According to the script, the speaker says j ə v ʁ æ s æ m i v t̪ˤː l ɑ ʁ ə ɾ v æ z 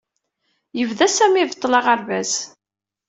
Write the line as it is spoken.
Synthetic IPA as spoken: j ə v ð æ s æ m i v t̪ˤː l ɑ ʁ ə ɾ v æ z

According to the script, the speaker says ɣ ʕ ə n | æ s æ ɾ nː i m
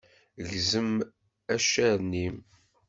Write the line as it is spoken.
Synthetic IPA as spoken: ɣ z ə m | æ ʃ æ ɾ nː i m

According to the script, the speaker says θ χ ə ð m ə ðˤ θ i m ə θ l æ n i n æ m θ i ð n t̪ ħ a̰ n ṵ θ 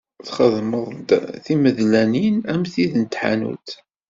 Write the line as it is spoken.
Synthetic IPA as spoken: θ χ ə ð m ə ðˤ θ i m ə ð l æ n i n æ m θ i ð n t̪ ħ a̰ n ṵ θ

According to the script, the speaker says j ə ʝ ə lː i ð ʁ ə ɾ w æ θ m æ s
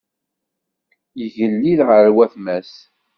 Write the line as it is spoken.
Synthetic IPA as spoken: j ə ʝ ə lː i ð ʁ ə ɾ w æ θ m æ s

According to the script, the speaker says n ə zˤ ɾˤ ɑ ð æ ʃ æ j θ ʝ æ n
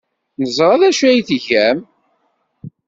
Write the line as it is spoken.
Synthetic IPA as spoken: n ə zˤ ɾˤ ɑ ð æ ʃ æ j θ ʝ æ m

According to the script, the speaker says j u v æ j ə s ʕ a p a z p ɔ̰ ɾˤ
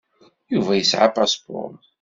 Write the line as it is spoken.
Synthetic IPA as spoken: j u v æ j ə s ʕ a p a s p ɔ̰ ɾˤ

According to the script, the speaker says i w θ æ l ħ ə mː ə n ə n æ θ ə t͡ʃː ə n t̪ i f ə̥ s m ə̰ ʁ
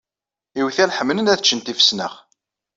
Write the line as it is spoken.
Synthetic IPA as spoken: i w θ æ l ħ ə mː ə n ə n æ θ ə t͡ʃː ə n t̪ i f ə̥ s n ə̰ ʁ

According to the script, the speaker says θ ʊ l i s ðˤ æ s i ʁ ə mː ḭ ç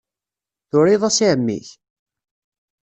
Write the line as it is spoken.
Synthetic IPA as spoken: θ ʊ ɾ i ðˤ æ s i ʕ ə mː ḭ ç

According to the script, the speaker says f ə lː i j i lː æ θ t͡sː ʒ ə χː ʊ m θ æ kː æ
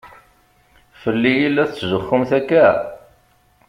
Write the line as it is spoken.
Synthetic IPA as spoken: f ə lː i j i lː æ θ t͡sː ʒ ə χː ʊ m θ æ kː æ

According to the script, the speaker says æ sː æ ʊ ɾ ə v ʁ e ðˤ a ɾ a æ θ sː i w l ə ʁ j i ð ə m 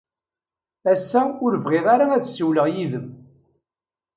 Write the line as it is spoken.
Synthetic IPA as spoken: æ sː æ ʊ ɾ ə v ʁ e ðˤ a ɾ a æ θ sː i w l ə ʁ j i ð ə m

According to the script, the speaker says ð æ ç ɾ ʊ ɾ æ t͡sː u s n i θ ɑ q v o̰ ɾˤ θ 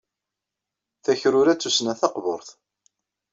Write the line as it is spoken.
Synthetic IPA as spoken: θ æ ç ɾ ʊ ɾ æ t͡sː u s n æ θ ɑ q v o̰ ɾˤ θ

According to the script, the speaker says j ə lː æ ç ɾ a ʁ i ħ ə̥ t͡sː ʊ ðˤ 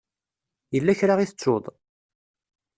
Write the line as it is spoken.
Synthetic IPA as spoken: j ə lː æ ç ɾ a ʁ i θ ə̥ t͡sː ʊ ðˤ

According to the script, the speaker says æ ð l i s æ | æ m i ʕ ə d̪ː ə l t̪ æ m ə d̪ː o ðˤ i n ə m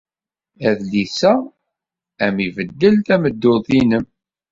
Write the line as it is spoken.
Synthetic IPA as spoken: æ ð l i s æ | æ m i v ə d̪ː ə l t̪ æ m ə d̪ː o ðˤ i n ə m

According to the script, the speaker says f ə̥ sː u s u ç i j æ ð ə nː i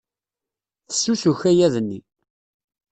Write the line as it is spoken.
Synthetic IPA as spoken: θ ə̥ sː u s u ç æ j æ ð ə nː i

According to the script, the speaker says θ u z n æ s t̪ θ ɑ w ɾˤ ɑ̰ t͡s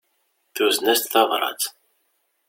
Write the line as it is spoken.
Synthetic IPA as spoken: θ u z n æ s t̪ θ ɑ v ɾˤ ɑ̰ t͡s

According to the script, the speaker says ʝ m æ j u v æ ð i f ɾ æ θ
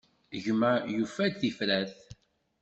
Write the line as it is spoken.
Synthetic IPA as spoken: ʝ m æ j u f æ θ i f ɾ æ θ

